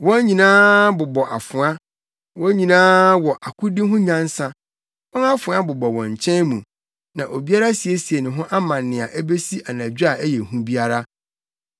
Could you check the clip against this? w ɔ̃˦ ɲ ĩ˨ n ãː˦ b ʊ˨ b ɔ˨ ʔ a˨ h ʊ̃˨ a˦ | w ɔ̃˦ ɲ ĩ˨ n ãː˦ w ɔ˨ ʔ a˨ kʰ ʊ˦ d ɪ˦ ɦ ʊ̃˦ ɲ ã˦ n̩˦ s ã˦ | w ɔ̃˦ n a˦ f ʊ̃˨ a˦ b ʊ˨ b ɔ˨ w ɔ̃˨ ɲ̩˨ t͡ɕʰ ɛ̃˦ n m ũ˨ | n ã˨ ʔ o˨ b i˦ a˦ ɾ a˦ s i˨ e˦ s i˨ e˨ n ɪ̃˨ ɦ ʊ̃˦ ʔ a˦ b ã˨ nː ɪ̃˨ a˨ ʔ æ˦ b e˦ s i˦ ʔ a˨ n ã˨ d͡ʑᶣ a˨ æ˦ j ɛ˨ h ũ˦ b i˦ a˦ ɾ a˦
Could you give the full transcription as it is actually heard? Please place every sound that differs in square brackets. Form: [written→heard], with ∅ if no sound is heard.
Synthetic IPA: w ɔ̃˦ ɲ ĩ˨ n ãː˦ b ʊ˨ b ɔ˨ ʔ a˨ [h→f] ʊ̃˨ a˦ | w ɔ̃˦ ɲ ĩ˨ n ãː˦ w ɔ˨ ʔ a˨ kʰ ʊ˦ d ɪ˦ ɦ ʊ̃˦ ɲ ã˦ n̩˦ s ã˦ | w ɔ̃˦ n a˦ f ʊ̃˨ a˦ b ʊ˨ b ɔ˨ w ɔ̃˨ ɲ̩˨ t͡ɕʰ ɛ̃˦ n m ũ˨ | n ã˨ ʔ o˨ b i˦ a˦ ɾ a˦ s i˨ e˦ s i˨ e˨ n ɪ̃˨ ɦ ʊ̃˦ ʔ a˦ [b→m] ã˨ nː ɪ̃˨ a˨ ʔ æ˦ b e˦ s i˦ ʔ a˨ n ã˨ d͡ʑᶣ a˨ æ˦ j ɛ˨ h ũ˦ b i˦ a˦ ɾ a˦